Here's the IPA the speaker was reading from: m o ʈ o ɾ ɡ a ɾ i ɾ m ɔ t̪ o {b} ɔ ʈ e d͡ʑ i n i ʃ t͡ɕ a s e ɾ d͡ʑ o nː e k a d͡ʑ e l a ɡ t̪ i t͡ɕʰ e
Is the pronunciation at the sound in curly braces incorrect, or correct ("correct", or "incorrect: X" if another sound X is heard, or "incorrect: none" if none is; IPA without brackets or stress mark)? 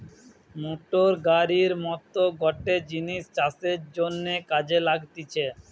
incorrect: ɡ